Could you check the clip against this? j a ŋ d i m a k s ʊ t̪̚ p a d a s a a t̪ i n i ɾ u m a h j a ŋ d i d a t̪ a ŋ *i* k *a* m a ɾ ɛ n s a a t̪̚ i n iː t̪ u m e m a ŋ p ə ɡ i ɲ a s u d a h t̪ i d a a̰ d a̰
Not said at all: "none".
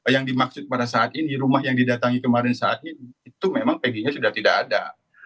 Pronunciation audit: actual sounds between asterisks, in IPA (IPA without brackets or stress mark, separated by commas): i, ə